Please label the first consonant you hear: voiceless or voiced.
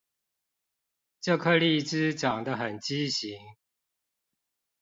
voiceless